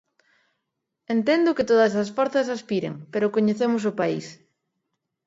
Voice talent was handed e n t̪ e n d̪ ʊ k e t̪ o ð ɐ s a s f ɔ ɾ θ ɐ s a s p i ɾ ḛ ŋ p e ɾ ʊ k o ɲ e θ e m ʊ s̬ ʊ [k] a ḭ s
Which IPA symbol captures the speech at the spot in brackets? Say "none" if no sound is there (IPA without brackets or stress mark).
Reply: p